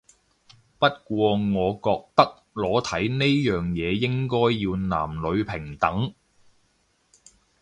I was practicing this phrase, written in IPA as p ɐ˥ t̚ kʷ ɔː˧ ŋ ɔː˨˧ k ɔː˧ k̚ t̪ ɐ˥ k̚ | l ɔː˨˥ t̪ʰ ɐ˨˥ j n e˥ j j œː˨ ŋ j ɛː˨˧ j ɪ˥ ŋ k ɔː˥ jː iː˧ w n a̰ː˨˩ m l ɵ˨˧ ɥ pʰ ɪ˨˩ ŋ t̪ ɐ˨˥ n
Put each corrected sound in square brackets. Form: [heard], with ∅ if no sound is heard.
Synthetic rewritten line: p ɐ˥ t̚ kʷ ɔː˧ ŋ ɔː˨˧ k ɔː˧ k̚ t̪ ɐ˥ k̚ | l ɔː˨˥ t̪ʰ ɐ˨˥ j n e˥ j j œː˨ ŋ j ɛː˨˧ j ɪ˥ ŋ k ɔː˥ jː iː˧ w n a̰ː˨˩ m l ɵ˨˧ ɥ pʰ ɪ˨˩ ŋ t̪ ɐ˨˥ [ŋ]

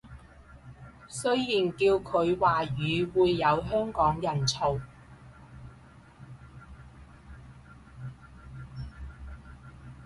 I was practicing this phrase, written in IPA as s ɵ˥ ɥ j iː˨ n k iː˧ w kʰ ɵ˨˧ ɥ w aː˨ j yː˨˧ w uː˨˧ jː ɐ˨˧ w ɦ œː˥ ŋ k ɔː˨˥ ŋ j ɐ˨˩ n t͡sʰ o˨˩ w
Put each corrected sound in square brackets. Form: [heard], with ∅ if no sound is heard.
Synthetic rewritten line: s ɵ˥ ɥ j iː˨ n k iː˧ w kʰ ɵ˨˧ ɥ w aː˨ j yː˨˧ w uː˨˧ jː ɐ˨˧ w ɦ œː˥ ŋ k ɔː˨˥ ŋ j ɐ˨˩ n t͡sʰ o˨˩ w

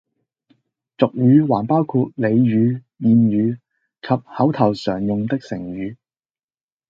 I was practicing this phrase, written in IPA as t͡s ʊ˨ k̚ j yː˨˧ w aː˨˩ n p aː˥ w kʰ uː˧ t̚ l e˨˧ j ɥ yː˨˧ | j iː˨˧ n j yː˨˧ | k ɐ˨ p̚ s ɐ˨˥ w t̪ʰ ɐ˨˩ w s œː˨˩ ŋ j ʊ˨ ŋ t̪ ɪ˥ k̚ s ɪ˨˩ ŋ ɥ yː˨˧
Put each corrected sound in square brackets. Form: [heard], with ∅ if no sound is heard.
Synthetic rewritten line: t͡s ʊ˨ k̚ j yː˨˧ w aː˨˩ n p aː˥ w kʰ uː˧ t̚ l e˨˧ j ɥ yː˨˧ | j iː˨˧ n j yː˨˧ | [kʰ] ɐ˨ p̚ [h] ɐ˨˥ w t̪ʰ ɐ˨˩ w s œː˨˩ ŋ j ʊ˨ ŋ t̪ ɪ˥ k̚ s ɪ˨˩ ŋ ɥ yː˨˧

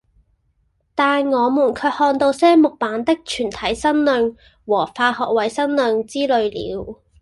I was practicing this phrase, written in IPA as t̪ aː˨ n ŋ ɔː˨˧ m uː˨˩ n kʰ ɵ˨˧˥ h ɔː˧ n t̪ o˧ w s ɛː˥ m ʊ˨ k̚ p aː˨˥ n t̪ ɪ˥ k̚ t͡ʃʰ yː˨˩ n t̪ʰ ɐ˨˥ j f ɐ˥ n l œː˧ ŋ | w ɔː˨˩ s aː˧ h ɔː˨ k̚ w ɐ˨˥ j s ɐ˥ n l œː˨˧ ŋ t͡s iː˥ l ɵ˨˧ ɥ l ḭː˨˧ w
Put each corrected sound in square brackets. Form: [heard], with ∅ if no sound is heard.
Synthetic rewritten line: t̪ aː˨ n ŋ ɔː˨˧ m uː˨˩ n kʰ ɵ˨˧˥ h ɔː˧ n t̪ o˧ w s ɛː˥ m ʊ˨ k̚ p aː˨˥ n t̪ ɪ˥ k̚ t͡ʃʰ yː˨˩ n t̪ʰ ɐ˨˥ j [s] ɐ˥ n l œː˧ ŋ | w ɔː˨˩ [f] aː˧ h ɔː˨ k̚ w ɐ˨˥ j s ɐ˥ n l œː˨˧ ŋ t͡s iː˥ l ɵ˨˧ ɥ l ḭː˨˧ w

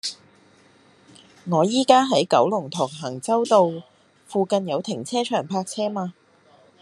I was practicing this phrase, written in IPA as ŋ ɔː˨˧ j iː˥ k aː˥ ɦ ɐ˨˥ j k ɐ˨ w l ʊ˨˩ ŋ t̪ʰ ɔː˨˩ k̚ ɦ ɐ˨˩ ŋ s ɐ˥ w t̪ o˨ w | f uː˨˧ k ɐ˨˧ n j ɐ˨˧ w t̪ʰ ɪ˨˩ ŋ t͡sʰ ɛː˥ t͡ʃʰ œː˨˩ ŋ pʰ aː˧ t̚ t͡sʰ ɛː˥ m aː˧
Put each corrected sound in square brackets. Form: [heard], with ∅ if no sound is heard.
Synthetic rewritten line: ŋ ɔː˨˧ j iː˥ k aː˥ ɦ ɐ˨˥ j k [ɐ˨˥] w l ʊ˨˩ ŋ t̪ʰ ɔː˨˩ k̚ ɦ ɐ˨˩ ŋ [t͡s] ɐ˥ w t̪ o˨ w | f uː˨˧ k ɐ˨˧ n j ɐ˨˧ w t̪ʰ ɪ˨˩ ŋ t͡sʰ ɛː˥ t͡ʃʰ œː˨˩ ŋ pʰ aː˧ [k̚] t͡sʰ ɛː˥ m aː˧

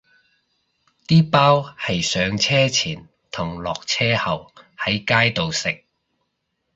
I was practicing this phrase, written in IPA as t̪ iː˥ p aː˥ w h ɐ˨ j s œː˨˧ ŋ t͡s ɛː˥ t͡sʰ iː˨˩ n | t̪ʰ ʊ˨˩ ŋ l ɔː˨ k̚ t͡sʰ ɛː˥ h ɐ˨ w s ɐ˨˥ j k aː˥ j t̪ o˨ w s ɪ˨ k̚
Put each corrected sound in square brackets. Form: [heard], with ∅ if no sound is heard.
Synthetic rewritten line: t̪ iː˥ p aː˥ w h ɐ˨ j s œː˨˧ ŋ [t͡sʰ] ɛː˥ t͡sʰ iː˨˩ n | t̪ʰ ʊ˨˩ ŋ l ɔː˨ k̚ t͡sʰ ɛː˥ h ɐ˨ w [h] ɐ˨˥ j k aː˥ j t̪ o˨ w s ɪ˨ k̚

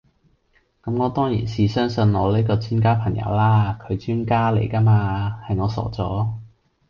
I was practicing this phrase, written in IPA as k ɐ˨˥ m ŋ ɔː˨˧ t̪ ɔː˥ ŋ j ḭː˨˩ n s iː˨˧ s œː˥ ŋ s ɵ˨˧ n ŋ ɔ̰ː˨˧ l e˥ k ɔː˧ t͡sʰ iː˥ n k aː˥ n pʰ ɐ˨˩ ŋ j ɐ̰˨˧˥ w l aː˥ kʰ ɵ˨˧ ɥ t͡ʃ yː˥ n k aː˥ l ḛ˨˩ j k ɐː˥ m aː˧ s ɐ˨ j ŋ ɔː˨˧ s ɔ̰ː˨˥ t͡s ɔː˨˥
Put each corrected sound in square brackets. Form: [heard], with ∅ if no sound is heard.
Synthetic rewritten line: k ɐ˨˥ m ŋ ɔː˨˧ t̪ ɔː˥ ŋ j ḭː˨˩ n s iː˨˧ s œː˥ ŋ s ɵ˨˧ n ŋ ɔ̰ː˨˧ l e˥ k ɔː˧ t͡sʰ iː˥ n k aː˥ [∅] pʰ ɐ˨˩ ŋ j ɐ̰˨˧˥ w l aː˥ kʰ ɵ˨˧ ɥ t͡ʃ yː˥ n k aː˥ l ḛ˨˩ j k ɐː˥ m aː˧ [h] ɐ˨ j ŋ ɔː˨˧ s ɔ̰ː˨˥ t͡s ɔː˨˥

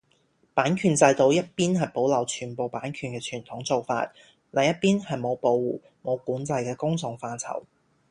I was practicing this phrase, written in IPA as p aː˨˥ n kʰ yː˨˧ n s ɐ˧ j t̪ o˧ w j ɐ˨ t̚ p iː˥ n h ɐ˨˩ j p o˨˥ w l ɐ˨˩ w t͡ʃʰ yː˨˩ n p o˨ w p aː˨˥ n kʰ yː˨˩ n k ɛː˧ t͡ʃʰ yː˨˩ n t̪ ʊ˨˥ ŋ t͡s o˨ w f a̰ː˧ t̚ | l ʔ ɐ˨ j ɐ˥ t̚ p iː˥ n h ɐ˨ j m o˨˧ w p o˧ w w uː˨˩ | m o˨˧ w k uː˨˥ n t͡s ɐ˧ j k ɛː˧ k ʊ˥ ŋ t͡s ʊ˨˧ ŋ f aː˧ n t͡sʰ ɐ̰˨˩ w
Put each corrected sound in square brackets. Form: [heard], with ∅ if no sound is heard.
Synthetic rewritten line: p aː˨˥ n kʰ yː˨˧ n [t͡s] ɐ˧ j t̪ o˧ w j [ɐ˥] t̚ p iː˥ n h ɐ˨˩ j p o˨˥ w l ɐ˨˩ w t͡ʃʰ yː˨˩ n p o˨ w p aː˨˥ n kʰ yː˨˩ n k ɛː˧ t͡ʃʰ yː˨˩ n [t̪ʰ] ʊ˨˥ ŋ t͡s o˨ w f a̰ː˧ t̚ | l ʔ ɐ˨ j ɐ˥ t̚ p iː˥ n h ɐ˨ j m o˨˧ w p o˧ w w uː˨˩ | m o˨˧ w k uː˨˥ n t͡s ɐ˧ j k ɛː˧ k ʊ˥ ŋ t͡s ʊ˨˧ ŋ f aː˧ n t͡sʰ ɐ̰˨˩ w

